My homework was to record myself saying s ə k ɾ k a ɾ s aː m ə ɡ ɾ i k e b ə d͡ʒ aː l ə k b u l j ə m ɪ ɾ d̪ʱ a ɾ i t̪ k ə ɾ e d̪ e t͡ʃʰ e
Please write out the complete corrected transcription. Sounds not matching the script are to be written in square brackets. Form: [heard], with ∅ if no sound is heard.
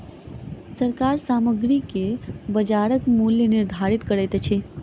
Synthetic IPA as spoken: s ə [∅] ɾ k a ɾ s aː m ə ɡ ɾ i k e b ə d͡ʒ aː [ɾ] ə k [m] u l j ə [n] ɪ ɾ d̪ʱ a ɾ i t̪ k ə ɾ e [t̪] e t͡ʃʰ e